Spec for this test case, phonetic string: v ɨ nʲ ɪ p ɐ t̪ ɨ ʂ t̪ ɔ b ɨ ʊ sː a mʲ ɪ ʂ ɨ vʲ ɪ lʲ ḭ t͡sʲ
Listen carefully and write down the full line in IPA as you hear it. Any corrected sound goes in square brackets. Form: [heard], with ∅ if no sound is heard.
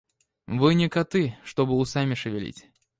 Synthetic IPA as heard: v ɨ nʲ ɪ [k] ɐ t̪ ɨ ʂ t̪ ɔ b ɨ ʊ [s] a mʲ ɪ ʂ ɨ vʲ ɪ lʲ ḭ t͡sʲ